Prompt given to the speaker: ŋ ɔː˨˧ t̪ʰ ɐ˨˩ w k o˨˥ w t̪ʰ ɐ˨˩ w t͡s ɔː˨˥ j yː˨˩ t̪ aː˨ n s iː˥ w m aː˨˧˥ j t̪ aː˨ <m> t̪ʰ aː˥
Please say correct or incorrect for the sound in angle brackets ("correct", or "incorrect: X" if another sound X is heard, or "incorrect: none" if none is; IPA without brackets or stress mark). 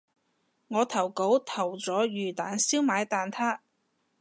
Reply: incorrect: n